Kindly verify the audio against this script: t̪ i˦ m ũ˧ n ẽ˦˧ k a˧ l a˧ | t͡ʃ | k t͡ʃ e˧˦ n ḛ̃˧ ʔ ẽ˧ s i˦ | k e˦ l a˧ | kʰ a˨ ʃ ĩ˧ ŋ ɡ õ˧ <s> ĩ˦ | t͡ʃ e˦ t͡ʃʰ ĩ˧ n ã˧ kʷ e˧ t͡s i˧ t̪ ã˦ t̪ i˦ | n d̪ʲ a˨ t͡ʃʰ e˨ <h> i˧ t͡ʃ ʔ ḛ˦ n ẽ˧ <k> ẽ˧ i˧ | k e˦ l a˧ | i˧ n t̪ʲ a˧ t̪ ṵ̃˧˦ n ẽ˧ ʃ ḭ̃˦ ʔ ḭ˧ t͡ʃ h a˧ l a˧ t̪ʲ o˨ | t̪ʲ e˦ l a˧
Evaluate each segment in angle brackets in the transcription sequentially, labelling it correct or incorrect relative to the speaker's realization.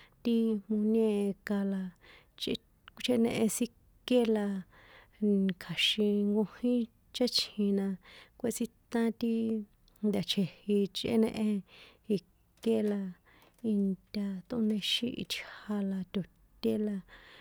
incorrect: h, correct, incorrect: ʔ

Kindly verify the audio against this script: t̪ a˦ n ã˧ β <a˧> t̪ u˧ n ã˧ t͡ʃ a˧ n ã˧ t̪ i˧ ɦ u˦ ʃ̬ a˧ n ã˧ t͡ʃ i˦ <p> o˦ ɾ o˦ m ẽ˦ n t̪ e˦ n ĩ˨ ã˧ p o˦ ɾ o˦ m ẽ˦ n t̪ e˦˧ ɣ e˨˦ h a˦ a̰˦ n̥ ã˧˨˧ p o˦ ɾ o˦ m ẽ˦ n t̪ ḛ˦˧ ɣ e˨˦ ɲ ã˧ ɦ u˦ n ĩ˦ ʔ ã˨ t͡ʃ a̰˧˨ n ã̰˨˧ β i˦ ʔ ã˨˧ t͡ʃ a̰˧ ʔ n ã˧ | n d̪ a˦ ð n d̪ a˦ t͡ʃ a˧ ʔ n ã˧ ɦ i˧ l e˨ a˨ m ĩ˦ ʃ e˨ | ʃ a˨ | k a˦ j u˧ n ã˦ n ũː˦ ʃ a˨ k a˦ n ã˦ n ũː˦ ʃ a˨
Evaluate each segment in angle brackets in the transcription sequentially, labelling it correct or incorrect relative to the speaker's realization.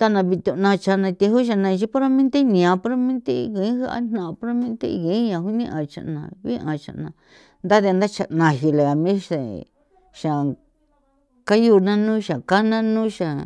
incorrect: i˧, correct

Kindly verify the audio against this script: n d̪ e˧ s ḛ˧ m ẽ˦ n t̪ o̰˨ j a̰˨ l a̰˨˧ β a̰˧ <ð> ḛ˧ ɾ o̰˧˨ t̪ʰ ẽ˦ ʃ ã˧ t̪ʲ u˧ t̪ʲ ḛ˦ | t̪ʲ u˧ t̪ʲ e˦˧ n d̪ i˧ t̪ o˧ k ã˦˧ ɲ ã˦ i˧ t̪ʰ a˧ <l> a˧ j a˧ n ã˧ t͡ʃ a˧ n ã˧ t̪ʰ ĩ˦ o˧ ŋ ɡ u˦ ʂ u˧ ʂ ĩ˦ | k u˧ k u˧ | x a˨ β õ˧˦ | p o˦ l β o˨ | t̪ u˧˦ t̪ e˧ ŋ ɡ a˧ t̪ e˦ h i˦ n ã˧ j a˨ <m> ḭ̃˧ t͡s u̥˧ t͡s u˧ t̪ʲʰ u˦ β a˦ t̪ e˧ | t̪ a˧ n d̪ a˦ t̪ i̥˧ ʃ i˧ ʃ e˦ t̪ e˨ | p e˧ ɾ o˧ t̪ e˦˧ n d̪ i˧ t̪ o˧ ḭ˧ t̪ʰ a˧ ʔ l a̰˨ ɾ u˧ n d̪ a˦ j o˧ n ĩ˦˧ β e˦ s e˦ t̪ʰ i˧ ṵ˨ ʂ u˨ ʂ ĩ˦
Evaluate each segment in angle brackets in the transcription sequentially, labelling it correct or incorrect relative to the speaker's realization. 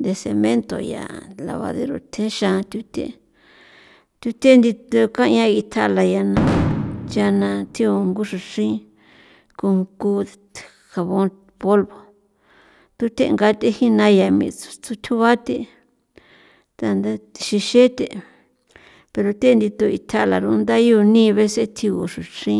correct, correct, correct

